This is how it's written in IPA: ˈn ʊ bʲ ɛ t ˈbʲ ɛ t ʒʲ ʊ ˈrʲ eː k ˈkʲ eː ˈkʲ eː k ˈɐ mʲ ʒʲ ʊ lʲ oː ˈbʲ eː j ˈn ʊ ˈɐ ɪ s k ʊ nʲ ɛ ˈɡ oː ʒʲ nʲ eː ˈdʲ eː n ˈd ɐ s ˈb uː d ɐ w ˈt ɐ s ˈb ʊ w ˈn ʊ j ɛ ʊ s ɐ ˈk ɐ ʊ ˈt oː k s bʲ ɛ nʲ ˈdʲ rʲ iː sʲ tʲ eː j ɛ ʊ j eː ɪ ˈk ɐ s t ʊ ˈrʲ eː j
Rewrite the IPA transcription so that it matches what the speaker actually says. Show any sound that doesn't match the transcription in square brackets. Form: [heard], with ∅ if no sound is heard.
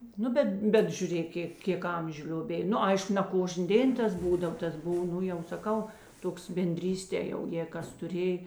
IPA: ˈn ʊ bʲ ɛ t ˈbʲ ɛ t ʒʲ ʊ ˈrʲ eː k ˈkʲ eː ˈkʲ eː k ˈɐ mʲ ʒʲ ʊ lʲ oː ˈbʲ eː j ˈn ʊ ˈɐ ɪ [ʃ] k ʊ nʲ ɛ [ˈk] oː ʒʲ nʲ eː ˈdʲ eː n [ˈt] ɐ s ˈb uː d ɐ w ˈt ɐ s ˈb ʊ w ˈn ʊ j ɛ ʊ s ɐ ˈk ɐ ʊ ˈt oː k s bʲ ɛ nʲ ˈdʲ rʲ iː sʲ tʲ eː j ɛ ʊ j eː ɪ ˈk ɐ s t ʊ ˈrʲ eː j